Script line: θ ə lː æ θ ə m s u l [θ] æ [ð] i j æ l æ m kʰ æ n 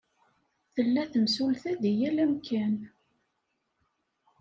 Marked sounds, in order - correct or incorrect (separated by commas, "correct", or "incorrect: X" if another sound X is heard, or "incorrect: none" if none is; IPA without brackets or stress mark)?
correct, correct